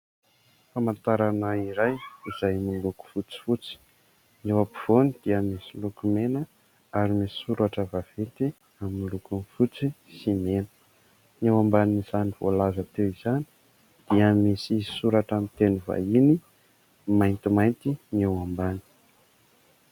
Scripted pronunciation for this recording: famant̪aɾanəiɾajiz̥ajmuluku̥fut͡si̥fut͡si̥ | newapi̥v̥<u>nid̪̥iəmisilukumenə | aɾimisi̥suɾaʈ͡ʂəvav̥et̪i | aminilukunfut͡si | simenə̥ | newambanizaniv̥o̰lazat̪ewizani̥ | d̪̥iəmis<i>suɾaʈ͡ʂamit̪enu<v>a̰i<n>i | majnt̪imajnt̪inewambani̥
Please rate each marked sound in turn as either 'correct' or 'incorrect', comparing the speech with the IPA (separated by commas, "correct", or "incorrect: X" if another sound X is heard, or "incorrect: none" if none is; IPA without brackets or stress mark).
incorrect: o, correct, correct, correct